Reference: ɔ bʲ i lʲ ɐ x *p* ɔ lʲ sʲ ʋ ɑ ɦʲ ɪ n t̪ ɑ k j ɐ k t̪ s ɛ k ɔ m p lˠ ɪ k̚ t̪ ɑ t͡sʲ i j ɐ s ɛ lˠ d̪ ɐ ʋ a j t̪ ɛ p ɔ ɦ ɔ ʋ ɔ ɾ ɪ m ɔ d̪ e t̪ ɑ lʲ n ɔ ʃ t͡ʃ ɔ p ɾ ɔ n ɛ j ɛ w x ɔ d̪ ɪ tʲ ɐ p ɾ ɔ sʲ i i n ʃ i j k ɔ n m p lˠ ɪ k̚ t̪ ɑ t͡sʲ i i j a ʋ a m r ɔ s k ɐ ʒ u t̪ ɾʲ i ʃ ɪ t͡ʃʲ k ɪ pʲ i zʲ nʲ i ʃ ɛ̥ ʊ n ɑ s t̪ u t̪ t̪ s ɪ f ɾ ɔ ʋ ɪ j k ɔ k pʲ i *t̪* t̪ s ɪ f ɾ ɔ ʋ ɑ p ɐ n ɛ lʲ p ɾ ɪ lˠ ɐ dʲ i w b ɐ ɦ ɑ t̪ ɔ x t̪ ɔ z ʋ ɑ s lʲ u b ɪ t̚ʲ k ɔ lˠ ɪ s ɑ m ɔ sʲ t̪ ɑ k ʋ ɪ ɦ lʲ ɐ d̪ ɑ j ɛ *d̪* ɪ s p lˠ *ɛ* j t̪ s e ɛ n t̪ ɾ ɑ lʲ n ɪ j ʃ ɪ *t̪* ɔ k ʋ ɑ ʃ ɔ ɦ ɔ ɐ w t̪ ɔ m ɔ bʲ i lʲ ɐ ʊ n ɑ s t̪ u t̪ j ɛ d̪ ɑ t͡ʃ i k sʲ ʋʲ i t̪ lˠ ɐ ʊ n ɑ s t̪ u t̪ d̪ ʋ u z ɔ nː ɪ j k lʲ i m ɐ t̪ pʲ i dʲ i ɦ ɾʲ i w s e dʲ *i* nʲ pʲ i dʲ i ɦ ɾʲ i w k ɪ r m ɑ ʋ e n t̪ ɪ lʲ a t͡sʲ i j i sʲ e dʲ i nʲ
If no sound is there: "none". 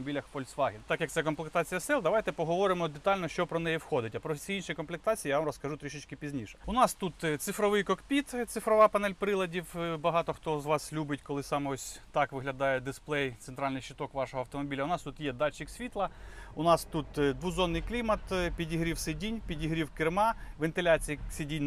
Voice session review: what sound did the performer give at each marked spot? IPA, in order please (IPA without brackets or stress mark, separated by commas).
p, t̪, d̪, ɛ, t̪, i